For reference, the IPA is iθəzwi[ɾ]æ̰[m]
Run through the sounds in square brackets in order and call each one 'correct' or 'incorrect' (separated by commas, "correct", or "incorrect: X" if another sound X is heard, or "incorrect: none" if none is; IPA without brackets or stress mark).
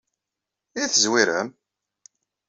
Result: correct, correct